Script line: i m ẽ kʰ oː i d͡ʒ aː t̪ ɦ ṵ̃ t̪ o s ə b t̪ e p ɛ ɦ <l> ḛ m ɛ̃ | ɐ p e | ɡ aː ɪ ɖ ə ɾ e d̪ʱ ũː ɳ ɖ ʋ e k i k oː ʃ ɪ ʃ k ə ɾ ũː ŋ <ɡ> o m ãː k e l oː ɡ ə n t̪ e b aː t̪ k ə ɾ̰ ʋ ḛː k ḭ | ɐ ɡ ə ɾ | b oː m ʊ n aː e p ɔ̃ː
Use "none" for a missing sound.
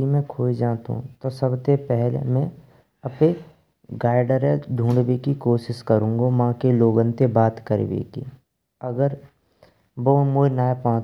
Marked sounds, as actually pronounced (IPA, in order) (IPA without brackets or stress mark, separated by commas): l, ɡ